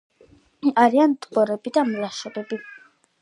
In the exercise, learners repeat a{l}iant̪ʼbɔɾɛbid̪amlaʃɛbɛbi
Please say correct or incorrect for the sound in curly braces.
incorrect: ɾ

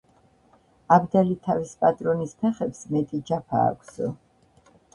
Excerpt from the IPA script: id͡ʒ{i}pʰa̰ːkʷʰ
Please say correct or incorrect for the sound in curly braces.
incorrect: a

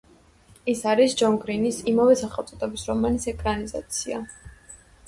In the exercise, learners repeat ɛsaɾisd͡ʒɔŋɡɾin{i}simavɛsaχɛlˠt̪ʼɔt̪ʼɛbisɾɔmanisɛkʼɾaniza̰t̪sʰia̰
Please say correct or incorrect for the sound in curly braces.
correct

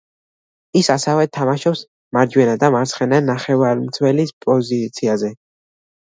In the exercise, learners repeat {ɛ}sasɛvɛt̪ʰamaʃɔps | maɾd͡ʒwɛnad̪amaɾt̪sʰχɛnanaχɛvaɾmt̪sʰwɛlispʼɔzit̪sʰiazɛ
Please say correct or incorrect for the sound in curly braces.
incorrect: i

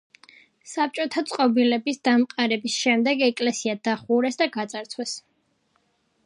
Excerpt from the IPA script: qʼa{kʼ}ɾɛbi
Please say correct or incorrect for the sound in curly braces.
incorrect: none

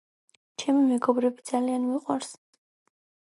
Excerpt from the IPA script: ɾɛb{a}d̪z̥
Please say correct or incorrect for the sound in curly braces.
incorrect: i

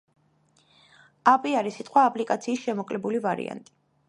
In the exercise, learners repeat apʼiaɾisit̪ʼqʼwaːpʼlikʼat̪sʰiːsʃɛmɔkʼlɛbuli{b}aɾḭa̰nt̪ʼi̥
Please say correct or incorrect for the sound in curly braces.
incorrect: v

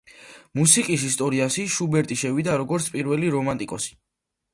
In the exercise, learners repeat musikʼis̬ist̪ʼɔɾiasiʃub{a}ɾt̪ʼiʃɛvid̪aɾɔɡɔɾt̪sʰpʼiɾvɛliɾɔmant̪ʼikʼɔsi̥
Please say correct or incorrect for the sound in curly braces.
incorrect: ɛ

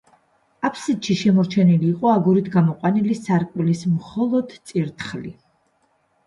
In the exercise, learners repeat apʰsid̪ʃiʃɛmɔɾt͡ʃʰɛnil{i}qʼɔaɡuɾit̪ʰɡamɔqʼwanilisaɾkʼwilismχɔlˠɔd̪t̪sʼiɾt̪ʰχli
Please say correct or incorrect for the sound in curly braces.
incorrect: iː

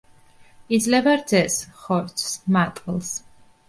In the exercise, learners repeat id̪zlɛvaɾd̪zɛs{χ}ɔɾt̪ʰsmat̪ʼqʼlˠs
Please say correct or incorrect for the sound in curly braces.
correct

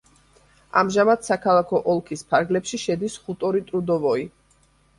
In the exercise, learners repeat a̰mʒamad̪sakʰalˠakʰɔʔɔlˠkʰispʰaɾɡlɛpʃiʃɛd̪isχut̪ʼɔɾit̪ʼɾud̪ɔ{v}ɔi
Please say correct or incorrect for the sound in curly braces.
correct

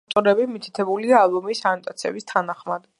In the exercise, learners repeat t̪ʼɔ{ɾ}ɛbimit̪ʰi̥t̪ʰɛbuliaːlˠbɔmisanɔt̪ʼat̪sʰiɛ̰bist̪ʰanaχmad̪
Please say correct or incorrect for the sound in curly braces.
correct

